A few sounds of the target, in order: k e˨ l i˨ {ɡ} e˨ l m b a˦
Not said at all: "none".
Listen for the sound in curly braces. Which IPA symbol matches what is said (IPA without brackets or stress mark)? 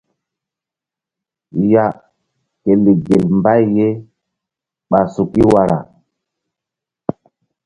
ɡ